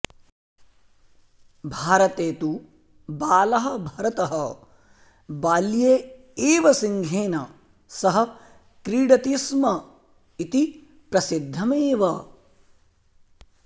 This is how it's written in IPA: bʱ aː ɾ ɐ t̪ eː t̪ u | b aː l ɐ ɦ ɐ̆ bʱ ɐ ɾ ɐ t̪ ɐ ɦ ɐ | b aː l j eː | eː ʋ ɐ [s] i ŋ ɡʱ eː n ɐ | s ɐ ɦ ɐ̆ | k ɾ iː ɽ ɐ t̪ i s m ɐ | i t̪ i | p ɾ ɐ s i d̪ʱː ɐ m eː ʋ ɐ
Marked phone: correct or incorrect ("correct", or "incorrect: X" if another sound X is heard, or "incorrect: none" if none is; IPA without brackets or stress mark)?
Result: correct